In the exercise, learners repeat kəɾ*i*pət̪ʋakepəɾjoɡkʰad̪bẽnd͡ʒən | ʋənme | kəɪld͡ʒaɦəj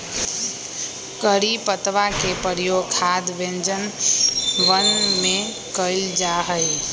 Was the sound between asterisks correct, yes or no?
yes